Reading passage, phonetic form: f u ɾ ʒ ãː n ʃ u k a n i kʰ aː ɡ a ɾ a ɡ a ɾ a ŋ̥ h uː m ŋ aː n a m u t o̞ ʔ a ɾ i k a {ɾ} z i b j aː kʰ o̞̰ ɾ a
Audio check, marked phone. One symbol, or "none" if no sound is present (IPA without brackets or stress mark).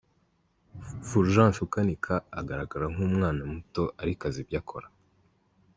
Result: none